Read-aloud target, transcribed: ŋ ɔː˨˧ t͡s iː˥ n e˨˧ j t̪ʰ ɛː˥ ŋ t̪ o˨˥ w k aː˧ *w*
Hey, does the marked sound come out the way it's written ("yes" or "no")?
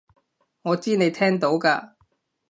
no